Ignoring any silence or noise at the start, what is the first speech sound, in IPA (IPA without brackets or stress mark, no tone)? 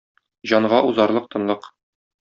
ʑ